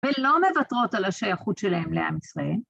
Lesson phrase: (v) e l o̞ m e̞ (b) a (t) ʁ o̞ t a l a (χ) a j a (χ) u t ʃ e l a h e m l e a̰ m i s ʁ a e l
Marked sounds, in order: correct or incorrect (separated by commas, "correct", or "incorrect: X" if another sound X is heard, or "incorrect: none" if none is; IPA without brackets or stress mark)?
correct, incorrect: v, correct, incorrect: ʃ, correct